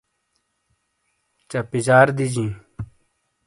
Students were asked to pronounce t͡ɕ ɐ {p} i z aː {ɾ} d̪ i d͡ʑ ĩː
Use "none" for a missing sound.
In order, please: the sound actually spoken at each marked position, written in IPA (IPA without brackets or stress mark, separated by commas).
p, ɾ